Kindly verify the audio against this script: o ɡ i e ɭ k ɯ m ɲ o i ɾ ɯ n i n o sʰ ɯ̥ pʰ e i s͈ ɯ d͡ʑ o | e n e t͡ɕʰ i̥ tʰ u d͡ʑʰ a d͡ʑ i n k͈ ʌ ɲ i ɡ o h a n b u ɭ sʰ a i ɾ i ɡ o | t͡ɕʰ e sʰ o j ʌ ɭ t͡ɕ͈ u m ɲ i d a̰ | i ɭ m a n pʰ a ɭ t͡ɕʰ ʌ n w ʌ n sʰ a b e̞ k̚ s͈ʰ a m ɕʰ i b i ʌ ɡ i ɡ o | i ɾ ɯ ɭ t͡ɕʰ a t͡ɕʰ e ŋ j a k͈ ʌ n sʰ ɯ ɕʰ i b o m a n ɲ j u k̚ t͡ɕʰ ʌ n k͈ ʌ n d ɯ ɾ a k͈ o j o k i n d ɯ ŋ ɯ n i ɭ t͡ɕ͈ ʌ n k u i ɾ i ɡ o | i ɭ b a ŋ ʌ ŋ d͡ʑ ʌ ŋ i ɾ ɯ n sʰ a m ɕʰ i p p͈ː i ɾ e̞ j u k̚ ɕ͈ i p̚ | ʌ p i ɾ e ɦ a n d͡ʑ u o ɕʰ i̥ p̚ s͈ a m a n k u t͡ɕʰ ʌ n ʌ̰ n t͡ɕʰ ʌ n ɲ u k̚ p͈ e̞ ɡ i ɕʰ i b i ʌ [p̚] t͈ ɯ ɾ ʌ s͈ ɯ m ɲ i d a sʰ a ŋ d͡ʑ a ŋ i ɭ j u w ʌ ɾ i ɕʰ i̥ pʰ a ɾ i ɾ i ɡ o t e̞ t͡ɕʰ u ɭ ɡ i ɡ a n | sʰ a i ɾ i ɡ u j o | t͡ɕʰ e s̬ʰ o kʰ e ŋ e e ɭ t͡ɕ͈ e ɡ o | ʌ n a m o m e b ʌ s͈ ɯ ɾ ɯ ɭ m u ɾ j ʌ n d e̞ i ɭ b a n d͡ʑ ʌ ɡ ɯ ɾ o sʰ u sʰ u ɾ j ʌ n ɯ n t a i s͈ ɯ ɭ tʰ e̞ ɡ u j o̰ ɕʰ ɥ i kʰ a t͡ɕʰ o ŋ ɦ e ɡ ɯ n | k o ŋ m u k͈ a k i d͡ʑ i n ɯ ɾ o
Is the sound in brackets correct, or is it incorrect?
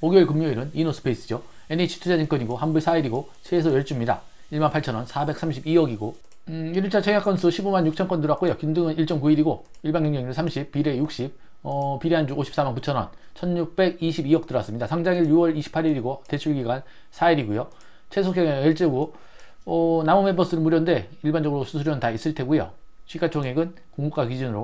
incorrect